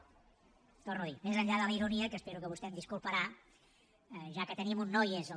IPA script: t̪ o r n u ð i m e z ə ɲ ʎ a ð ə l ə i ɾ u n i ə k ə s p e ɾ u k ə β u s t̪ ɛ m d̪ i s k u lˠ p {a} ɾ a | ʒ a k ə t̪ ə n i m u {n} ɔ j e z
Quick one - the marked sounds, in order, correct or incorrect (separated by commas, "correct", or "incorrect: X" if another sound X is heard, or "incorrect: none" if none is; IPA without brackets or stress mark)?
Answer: incorrect: ə, incorrect: nː